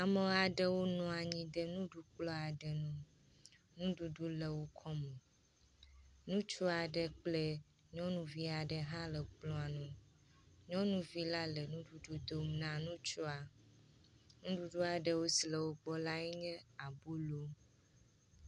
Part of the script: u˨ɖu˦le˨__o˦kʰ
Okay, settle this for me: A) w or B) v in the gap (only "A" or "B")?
A